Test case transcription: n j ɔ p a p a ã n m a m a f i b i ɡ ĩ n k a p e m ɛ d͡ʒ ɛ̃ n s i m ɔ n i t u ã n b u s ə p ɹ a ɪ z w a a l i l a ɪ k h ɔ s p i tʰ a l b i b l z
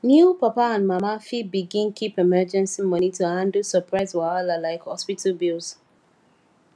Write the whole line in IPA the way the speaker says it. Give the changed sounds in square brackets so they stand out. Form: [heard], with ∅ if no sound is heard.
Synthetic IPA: n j [u] p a p a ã n m a m a f i b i ɡ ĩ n k [i] p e m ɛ d͡ʒ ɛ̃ n s i m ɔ n i t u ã n [d] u s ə p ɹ a ɪ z w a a l [a] l a ɪ k h ɔ s p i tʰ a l b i [∅] l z